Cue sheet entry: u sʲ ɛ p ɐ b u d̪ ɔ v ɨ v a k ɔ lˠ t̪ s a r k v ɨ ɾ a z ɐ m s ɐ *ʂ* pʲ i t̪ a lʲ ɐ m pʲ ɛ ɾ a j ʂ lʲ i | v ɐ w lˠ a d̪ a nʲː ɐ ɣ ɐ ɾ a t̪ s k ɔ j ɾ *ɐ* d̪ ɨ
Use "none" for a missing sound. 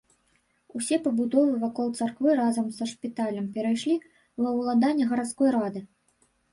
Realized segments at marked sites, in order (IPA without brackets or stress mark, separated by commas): ʂ, a